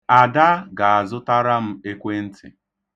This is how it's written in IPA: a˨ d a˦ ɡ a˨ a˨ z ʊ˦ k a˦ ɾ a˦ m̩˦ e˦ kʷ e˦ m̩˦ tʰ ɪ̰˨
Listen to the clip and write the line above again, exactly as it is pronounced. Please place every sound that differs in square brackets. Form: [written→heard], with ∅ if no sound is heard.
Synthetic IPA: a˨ d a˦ ɡ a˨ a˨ z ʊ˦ [k→t] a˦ ɾ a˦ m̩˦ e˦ kʷ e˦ [m̩˦→n̩˦] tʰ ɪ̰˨